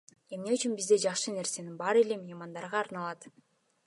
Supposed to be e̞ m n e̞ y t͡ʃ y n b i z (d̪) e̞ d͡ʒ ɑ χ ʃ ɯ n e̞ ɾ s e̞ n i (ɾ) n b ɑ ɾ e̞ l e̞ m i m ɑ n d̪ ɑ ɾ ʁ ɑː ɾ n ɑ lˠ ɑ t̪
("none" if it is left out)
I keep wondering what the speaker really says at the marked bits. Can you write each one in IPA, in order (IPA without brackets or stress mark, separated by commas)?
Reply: d̪, none